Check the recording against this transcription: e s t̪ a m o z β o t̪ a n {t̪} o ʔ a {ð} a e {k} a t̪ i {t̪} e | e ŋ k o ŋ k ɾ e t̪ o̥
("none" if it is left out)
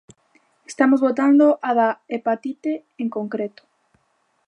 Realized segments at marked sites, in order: d̪, ð, p, t̪

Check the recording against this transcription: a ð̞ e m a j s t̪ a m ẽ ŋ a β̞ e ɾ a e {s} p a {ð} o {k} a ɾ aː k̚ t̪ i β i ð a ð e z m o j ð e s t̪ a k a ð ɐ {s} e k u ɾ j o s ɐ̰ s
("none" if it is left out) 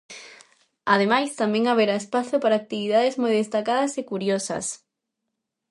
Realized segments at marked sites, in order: s, θ, p, s

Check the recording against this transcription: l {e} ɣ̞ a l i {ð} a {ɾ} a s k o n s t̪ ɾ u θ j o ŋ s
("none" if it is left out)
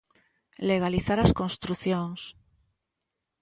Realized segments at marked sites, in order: e, θ, ɾ

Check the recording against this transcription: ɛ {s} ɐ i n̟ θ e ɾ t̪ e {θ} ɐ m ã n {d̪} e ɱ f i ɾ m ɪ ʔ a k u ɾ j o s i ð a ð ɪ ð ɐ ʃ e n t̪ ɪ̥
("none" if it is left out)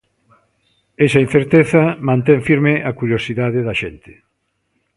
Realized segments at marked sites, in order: s, θ, t̪

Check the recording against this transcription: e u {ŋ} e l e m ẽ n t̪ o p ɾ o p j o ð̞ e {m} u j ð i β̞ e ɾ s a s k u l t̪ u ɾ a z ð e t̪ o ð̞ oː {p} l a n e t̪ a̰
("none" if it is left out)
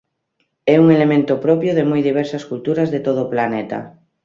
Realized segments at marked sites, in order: ŋ, m, p

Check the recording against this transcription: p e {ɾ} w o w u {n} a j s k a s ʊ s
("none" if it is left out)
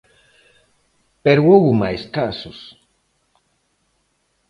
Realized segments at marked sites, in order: ɾ, m

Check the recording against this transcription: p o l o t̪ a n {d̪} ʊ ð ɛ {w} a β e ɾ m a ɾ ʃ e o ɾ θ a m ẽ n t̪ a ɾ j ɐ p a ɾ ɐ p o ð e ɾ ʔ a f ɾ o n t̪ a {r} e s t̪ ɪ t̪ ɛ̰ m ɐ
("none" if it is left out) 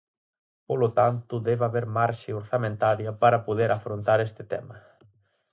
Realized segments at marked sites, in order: t̪, β, ɾ

